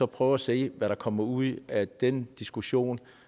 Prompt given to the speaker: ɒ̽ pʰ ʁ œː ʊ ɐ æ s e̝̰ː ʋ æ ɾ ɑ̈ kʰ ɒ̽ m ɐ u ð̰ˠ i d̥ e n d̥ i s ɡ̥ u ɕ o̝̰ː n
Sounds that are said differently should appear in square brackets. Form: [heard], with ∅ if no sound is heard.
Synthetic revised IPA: ɒ̽ pʰ ʁ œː ʊ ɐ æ s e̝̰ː ʋ æ ɾ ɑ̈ kʰ ɒ̽ m ɐ u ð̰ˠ [æ] d̥ e n d̥ i s ɡ̥ u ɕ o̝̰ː n